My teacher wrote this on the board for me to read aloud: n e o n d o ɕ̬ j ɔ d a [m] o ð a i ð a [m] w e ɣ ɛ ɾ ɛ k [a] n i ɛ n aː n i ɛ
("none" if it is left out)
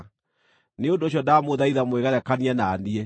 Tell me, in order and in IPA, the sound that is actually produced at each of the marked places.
m, m, a

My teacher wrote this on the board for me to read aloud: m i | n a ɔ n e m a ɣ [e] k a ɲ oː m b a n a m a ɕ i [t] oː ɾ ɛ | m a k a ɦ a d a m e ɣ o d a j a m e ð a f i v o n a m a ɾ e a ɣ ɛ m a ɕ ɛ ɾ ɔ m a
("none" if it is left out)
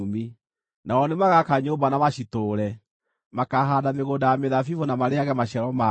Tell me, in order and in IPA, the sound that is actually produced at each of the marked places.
a, t

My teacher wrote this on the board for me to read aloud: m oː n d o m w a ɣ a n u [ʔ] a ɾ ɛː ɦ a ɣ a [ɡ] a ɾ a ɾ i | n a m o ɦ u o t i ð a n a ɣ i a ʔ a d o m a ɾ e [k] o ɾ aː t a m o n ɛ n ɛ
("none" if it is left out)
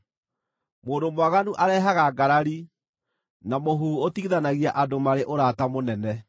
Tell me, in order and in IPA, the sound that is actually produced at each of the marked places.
ʔ, ɡ, ʔ

